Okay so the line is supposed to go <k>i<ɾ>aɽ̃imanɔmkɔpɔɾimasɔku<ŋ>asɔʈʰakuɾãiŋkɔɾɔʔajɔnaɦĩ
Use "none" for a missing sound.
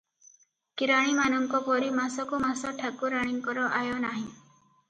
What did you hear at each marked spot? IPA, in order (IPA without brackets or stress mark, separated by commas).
k, ɾ, m